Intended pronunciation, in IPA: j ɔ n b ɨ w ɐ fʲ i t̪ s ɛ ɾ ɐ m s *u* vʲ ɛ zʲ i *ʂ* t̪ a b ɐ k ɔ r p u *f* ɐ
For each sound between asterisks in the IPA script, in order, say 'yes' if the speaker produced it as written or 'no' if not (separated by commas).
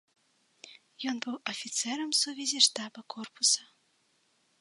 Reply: yes, yes, no